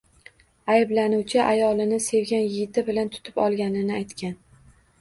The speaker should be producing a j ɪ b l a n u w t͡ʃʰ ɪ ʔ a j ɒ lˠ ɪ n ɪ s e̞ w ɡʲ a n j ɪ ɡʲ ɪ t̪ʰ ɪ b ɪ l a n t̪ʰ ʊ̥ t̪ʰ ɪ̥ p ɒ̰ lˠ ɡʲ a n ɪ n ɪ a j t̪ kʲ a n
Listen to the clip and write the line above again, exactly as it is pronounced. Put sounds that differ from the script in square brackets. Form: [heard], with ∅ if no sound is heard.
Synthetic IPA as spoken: a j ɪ b l a n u w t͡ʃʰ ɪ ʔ a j ɒ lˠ ɪ n ɪ s e̞ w ɡʲ a n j ɪ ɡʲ ɪ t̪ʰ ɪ b ɪ l a n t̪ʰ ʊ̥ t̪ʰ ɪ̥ p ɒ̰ lˠ ɡʲ a n ɪ n ɪ a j t̪ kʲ a n

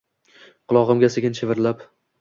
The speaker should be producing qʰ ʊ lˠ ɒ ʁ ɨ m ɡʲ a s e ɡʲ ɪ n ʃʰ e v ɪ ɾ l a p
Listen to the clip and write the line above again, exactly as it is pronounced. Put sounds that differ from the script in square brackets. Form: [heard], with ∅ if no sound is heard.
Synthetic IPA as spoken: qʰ ʊ lˠ ɒ ʁ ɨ m ɡʲ a s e ɡʲ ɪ n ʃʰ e v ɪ ɾ l a p

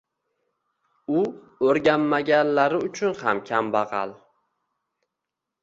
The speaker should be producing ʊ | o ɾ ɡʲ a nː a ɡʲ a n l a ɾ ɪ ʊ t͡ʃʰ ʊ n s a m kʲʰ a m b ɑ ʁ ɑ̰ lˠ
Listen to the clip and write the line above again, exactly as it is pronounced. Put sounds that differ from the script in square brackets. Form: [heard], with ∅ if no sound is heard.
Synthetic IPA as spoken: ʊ | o ɾ ɡʲ a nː a ɡʲ a n l a ɾ ɪ ʊ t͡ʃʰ ʊ n [h] a m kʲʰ a m b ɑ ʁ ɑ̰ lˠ

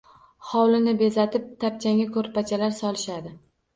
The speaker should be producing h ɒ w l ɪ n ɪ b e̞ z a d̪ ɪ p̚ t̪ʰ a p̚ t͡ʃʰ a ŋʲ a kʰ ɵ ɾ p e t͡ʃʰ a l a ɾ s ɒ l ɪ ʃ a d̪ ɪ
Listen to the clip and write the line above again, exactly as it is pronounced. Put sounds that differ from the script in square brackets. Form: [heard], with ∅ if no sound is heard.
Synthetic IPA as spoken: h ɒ w l ɪ n ɪ b e̞ z a [t̪] ɪ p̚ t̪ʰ a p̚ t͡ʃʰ a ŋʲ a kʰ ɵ ɾ p [a] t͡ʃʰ a l a ɾ s ɒ l ɪ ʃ a d̪ ɪ

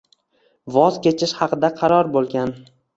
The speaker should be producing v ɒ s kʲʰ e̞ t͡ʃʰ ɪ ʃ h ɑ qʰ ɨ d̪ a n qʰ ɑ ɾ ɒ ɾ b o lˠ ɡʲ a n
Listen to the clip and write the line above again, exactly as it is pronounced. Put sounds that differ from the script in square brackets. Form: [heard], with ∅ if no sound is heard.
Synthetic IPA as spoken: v ɒ [z] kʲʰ e̞ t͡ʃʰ ɪ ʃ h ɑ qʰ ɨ d̪ a [∅] qʰ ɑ ɾ ɒ ɾ b o lˠ ɡʲ a n

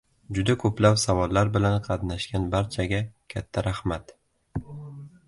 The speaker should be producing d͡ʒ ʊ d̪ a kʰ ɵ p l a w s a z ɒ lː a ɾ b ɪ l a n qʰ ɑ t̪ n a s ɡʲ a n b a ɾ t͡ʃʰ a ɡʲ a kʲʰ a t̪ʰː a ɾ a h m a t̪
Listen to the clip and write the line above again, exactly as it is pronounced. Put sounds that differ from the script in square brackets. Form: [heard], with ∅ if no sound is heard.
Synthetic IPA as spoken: d͡ʒ ʊ d̪ a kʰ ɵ p l a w s a [v] ɒ lː a ɾ b ɪ l a n qʰ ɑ t̪ n a [ʃ] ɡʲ a n b a ɾ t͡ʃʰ a ɡʲ a kʲʰ a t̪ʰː a ɾ a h m a t̪

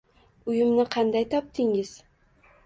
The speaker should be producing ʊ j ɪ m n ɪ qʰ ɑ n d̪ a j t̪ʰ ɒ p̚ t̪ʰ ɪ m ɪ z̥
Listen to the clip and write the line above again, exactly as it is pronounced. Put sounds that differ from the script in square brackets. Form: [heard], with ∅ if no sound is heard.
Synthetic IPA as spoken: ʊ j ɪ m n ɪ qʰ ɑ n d̪ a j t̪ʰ ɒ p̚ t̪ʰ ɪ [ŋ] ɪ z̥

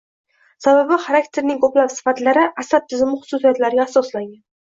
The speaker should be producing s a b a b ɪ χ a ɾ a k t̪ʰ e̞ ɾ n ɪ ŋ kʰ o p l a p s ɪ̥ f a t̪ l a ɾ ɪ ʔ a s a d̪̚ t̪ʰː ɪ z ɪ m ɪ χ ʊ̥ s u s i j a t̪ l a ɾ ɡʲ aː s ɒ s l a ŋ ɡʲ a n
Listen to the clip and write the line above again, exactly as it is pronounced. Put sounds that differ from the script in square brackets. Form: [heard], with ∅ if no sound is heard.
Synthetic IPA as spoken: s a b a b ɪ χ a ɾ a k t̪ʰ e̞ ɾ n ɪ ŋ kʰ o p l a p s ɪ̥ f a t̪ l a ɾ ɪ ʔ a s a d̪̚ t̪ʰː ɪ z ɪ m ɪ χ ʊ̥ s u s i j a t̪ l a ɾ ɡʲ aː s ɒ s l a ŋ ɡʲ a n

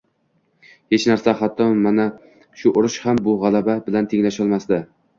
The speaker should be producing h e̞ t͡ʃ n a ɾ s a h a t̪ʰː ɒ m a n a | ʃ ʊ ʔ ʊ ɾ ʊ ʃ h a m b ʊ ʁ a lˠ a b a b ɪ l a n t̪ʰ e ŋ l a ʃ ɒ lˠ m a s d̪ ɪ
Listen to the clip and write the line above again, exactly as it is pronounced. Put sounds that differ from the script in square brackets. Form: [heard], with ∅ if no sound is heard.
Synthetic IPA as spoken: h e̞ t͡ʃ n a ɾ s a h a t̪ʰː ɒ m a n a | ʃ ʊ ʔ ʊ ɾ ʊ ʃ h a m b ʊ ʁ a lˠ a b a b ɪ l a n t̪ʰ e ŋ l a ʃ ɒ lˠ m a s d̪ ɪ

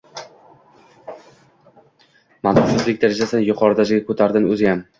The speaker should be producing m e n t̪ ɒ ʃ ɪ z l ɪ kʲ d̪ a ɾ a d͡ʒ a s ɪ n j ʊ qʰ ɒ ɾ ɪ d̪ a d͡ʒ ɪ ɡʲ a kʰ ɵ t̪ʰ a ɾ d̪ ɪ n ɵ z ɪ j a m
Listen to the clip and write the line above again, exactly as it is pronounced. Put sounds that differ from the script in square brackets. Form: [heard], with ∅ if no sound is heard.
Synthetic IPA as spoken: m [a] n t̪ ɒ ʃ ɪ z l ɪ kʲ d̪ a ɾ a d͡ʒ a s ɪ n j ʊ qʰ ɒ ɾ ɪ d̪ a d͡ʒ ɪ ɡʲ a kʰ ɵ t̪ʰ a ɾ d̪ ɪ n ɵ z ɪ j a m

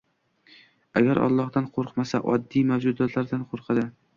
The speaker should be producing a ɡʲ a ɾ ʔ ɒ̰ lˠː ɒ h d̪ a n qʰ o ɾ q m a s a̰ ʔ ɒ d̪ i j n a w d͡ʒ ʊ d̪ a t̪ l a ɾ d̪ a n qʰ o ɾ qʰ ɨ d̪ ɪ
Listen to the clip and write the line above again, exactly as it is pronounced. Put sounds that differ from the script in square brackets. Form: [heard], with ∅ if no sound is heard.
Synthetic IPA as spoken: a ɡʲ a ɾ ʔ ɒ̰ lˠː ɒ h d̪ a n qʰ o ɾ q m a s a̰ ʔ ɒ [d̪ː] i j [m] a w d͡ʒ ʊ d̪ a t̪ l a ɾ d̪ a n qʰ o ɾ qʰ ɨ d̪ ɪ

